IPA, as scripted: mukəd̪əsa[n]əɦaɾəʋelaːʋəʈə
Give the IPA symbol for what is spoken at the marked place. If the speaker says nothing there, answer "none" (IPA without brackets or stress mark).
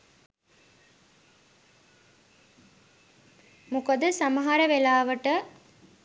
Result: m